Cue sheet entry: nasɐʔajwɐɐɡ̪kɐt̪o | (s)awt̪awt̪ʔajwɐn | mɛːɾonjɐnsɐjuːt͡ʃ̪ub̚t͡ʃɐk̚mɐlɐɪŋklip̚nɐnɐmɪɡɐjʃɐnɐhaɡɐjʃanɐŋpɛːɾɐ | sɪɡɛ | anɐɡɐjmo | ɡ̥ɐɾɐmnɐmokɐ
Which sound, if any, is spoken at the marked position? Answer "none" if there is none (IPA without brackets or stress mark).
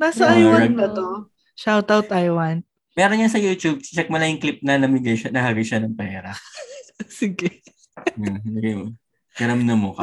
ʃ